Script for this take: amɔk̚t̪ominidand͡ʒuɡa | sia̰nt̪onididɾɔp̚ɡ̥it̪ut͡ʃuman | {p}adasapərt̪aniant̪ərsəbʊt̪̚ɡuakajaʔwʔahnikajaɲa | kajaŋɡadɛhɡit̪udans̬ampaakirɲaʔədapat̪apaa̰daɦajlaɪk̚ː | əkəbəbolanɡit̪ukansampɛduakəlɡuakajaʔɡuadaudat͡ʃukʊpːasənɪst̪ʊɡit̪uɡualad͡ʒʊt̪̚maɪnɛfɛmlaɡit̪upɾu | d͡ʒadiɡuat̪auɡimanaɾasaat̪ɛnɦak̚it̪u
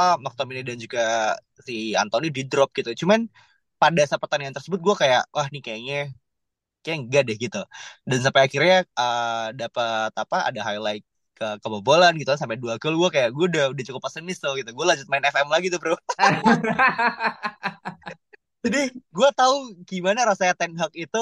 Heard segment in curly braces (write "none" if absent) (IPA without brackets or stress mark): p